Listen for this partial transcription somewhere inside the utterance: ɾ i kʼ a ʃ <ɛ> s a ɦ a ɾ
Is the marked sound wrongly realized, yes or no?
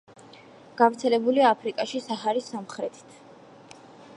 yes